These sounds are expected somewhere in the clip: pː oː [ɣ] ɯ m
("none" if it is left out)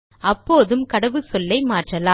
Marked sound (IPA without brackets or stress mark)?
ð